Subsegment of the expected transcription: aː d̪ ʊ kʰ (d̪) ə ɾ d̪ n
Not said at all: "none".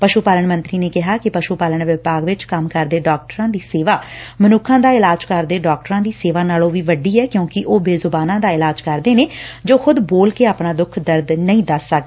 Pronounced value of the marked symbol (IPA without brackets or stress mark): d̪